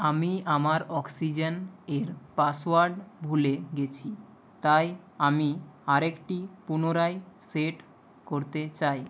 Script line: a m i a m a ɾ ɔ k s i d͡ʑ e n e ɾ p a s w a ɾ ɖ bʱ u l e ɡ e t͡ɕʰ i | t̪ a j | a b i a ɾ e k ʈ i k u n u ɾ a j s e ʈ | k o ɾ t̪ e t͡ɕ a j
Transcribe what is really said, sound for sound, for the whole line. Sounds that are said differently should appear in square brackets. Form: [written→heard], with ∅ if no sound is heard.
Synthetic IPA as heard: a m i a m a ɾ ɔ k s i d͡ʑ e n e ɾ p a s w a ɾ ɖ bʱ u l e ɡ e t͡ɕʰ i | t̪ a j | a [b→m] i a ɾ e k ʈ i [k→p] u n [u→o] ɾ a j s e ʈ | k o ɾ t̪ e t͡ɕ a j